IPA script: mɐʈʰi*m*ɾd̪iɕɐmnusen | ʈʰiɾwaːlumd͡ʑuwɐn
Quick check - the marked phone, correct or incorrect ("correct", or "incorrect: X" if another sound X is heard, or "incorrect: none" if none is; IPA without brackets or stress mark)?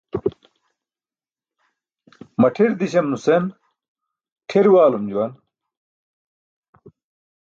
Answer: incorrect: none